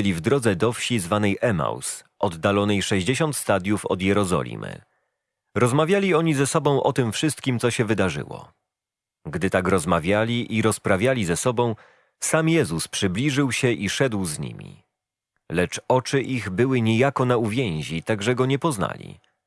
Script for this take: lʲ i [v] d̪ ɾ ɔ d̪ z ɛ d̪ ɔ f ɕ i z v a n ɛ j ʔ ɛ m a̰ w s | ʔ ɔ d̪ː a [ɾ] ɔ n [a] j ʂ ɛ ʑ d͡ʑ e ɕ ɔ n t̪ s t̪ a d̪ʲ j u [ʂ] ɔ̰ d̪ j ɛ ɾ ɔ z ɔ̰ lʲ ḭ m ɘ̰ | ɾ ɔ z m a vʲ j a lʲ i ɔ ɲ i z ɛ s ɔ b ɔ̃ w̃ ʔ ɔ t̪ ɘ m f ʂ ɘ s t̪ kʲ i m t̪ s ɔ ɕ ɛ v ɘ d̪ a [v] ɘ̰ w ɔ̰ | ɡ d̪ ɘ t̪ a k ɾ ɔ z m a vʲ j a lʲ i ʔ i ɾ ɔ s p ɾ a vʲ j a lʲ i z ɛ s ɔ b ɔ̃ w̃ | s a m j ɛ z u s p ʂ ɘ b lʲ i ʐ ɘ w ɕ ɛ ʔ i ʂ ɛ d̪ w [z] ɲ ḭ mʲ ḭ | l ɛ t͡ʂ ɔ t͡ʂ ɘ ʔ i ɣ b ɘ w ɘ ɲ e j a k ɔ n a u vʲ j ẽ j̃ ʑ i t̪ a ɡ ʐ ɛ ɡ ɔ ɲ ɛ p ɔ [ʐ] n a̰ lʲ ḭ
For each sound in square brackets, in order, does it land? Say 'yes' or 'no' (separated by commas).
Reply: yes, no, no, no, no, yes, no